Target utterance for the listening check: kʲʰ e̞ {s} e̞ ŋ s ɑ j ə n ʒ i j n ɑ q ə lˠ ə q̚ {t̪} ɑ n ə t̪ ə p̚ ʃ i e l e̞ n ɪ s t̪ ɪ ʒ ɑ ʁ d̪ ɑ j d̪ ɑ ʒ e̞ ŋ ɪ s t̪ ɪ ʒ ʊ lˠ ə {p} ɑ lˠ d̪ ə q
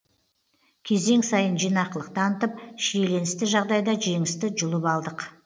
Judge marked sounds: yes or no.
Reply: no, yes, yes

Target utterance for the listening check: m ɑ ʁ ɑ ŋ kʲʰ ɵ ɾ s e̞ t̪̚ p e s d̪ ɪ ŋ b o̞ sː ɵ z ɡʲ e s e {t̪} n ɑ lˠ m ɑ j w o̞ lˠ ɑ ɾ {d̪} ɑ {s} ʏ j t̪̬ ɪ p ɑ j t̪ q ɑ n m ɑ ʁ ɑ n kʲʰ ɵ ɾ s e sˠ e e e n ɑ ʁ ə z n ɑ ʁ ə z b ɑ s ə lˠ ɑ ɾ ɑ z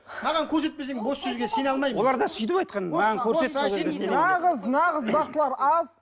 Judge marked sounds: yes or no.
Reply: no, yes, yes

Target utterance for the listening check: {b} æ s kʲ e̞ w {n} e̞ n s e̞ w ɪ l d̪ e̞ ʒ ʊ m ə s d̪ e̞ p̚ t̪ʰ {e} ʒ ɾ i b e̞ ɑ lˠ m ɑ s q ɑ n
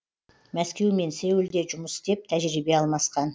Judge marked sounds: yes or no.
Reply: no, no, no

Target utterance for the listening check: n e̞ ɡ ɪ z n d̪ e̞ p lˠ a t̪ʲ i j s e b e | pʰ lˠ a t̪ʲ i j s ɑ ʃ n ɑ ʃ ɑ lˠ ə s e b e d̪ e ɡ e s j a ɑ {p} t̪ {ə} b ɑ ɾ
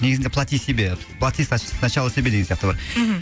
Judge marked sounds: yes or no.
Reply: no, yes

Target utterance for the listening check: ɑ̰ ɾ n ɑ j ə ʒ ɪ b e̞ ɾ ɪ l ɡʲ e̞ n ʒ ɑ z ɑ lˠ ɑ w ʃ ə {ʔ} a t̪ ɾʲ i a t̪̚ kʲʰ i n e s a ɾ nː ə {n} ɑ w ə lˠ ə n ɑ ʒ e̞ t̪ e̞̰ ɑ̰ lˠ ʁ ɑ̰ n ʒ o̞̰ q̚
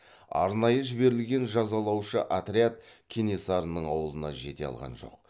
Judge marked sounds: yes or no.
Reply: yes, no

